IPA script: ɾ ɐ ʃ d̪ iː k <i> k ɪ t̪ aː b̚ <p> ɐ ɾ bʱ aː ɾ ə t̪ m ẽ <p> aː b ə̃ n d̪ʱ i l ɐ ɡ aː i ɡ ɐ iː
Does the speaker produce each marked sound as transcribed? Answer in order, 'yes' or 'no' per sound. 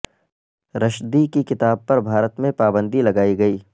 yes, yes, yes

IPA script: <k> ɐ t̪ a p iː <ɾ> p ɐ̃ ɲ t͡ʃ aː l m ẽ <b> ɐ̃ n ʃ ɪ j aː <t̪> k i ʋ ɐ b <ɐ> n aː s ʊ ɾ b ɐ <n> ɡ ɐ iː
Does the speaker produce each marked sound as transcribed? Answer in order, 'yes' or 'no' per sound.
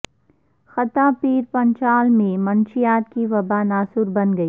no, yes, no, yes, no, yes

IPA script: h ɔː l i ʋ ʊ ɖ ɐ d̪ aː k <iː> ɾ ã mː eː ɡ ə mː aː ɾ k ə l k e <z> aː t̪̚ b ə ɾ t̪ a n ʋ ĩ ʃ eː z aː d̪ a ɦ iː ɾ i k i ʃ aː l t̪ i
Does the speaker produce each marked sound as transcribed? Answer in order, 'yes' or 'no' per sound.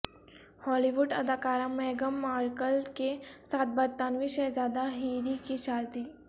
no, no

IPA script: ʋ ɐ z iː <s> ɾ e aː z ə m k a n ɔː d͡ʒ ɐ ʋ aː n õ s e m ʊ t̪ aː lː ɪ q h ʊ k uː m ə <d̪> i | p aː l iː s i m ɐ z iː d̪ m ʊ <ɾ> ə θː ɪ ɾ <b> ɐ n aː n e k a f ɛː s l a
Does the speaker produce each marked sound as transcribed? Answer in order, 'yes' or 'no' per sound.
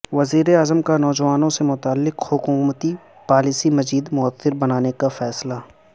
no, no, no, yes

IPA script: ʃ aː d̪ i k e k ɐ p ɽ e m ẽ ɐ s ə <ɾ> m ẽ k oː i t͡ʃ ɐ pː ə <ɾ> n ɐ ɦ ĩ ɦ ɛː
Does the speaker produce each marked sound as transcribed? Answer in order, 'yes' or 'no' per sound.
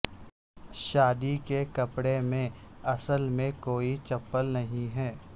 no, no

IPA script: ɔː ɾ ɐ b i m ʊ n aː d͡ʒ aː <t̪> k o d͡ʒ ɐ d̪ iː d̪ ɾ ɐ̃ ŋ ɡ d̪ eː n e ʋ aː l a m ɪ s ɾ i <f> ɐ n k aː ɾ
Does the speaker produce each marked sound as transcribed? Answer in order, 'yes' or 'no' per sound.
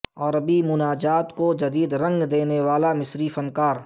yes, yes

